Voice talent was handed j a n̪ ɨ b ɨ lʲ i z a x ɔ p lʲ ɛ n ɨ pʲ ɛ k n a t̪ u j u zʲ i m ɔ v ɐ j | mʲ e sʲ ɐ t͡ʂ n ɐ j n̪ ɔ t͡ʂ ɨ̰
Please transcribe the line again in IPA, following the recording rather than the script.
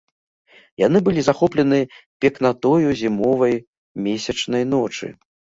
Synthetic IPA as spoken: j a n̪ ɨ b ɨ lʲ i z a x ɔ p lʲ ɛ n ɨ pʲ ɛ k n a t̪ ɔ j u zʲ i m ɔ v ɐ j | mʲ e sʲ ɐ t͡ʂ n ɐ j n̪ ɔ t͡ʂ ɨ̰